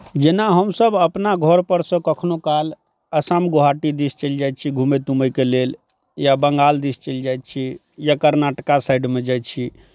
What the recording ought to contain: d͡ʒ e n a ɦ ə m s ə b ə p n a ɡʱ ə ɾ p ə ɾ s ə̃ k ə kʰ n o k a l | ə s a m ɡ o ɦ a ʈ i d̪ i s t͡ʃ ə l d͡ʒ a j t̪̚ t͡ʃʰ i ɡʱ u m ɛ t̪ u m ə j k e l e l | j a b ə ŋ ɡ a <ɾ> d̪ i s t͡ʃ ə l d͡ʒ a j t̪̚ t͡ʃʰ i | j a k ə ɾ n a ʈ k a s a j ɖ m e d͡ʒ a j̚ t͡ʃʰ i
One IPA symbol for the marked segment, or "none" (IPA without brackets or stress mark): l